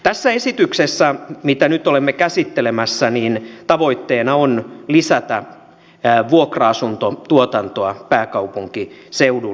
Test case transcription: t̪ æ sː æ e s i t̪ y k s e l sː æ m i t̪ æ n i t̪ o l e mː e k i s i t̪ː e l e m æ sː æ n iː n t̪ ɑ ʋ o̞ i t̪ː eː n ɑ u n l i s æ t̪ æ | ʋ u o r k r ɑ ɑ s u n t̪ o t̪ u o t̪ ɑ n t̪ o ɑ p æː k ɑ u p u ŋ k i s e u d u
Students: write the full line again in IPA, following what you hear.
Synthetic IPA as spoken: t̪ æ sː æ e s i t̪ y k s e sː æ m i t̪ æ n y t̪ o l e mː e k æ s i t̪ː e l e m æ sː æ n iː n t̪ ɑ ʋ o̞ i t̪ː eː n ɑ o n l i s æ t̪ æ | ʋ u o k r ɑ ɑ s u n t̪ o t̪ u o t̪ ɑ n t̪ o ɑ p æː k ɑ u p u ŋ k i s e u d u

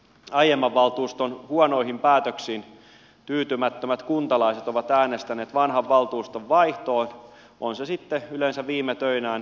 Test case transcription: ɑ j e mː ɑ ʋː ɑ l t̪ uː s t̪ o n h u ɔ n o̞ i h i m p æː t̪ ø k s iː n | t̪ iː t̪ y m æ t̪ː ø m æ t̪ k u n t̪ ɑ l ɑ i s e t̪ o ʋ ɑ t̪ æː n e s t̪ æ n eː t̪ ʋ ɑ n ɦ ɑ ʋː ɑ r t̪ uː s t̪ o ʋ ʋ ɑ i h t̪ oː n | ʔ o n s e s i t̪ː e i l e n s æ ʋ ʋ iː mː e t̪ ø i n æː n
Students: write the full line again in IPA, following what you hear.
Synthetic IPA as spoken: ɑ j e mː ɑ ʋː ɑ l t̪ uː s t̪ o n h u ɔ n o̞ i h i m p æː t̪ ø k s iː n | t̪ yː t̪ y m æ t̪ː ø m æ t̪ k u n t̪ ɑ l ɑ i s e t̪ o ʋ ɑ t̪ æː n e s t̪ æ n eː t̪ ʋ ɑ n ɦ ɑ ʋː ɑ l t̪ uː s t̪ o ʋ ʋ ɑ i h t̪ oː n | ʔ o n s e s i t̪ː e y l e n s æ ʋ ʋ iː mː e t̪ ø i n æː n

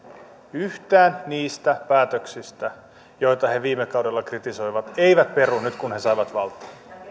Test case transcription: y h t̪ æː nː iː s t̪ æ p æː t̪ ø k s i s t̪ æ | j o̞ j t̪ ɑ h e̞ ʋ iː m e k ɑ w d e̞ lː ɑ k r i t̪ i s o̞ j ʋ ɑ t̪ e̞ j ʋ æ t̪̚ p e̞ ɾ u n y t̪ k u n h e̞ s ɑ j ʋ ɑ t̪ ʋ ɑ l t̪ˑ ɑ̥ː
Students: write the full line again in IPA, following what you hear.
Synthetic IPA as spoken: y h t̪ æː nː iː s t̪ æ p æː t̪ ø k s i s t̪ æ | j o̞ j t̪ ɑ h e̞ ʋ iː m e k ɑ w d e̞ lː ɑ k r i t̪ i s o̞ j ʋ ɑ t̪ e̞ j ʋ æ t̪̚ p e̞ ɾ u n y t̪ k u n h e̞ s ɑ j ʋ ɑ t̪ ʋ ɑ l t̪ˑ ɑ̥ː

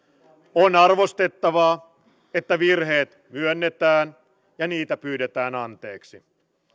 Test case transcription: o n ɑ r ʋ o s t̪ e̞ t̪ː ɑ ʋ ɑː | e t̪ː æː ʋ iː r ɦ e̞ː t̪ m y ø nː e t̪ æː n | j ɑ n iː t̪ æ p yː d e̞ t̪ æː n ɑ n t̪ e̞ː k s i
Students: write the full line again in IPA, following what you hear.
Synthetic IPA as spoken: o n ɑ r ʋ o s t̪ e̞ t̪ː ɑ ʋ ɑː | e t̪ː æ ʋ i r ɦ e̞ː t̪ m y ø nː e t̪ æː n | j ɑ n iː t̪ æ p yː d e̞ t̪ æː n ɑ n t̪ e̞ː k s i

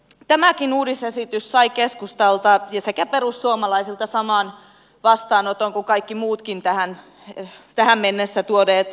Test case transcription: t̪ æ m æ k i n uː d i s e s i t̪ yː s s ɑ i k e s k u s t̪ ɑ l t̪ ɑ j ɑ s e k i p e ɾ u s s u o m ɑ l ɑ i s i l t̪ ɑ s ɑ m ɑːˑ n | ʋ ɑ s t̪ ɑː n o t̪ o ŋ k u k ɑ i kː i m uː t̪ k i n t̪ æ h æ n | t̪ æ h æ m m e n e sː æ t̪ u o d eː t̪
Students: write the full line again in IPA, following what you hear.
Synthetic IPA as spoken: t̪ æ m æ k i n uː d i s e s i t̪ y s s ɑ i k e s k u s t̪ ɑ l t̪ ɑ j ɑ s e k æ p e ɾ u s s u o m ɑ l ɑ i s i l t̪ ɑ s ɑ m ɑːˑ n | ʋ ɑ s t̪ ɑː n o t̪ o ŋ k u k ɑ i kː i m uː t̪ k i n t̪ æ h æ n | t̪ æ h æ m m e nː e sː æ t̪ u o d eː t̪

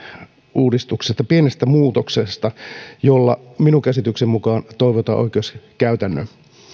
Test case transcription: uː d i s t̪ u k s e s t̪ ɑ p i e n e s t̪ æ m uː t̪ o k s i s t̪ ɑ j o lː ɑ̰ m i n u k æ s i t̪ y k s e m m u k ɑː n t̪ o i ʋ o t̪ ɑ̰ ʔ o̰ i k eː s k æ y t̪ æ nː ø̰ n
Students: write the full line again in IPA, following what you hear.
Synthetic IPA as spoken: uː d i s t̪ u k s e s t̪ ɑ p i e n e s t̪ æ m uː t̪ o k s e s t̪ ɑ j o lː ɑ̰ m i n u k æ s i t̪ y k s e m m u k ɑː n t̪ o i ʋ o t̪ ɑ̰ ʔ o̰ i k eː s k æ y t̪ æ nː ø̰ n

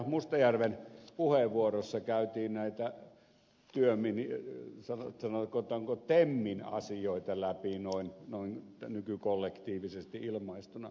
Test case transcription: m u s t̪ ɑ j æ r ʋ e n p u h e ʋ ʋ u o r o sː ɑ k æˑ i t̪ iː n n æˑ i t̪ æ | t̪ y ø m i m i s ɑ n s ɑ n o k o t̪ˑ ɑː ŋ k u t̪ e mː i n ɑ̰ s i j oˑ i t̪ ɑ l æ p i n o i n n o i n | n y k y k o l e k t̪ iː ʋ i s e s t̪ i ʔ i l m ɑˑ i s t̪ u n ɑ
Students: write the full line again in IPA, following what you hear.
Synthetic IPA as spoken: m u s t̪ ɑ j æ r ʋ e n p u h e ʋ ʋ u o r o sː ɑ k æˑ y t̪ iː n n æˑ i t̪ æ | t̪ y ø m i n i s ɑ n s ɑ n o k o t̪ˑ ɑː ŋ k o t̪ e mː i n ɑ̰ s i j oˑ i t̪ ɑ l æ p i n o i n n o i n | n y k y k o lː e k t̪ iː ʋ i s e s t̪ i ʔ i l m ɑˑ i s t̪ u n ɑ

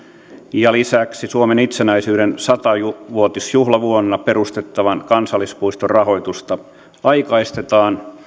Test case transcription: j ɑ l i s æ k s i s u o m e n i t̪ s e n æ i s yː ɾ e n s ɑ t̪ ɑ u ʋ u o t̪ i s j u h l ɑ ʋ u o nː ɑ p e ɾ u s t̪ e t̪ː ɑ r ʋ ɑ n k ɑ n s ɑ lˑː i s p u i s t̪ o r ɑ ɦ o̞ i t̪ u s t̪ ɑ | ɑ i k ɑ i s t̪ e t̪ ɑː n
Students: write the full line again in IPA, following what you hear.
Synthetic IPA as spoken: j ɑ l i s æ k s i s u o m e n i t̪ s e n æ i s yː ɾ e n s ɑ t̪ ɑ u ʋ u o t̪ i s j u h l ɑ ʋ u o nː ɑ p e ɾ u s t̪ e t̪ː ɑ ʋ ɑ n k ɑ n s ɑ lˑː i s p u i s t̪ o r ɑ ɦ o̞ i t̪ u s t̪ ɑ | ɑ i k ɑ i s t̪ e t̪ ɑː n

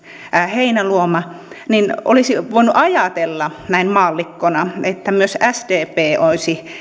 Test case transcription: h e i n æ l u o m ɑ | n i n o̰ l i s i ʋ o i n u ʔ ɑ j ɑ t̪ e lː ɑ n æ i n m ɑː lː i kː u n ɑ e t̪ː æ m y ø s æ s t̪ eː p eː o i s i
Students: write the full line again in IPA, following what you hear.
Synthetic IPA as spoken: h e i n æ l u o m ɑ | n i n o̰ l i s i ʋ o i n u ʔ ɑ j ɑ t̪ e lː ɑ n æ i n m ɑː lː i kː o n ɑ e t̪ː æ m y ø s æ s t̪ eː p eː o i s i

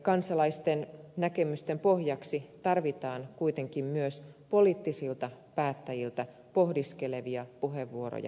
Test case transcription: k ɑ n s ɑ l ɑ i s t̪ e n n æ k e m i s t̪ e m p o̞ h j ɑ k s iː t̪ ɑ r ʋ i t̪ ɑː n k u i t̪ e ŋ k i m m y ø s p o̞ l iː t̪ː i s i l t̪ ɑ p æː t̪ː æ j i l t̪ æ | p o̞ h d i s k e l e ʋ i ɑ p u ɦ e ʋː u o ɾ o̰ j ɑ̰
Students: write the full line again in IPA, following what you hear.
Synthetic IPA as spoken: k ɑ n s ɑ l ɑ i s t̪ e n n æ k e m y s t̪ e m p o̞ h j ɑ k s i t̪ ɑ r ʋ i t̪ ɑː n k u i t̪ e ŋ k i m m y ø s p o̞ l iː t̪ː i s i l t̪ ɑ p æː t̪ː æ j i l t̪ æ | p o̞ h d i s k e l e ʋ i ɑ p u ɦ e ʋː u o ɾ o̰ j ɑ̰

